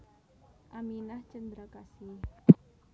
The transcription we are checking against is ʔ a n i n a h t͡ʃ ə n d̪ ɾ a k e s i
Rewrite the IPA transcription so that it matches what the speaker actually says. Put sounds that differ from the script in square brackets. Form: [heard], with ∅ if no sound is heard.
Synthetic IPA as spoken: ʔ a [m] i n a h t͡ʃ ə n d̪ ɾ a k [a] s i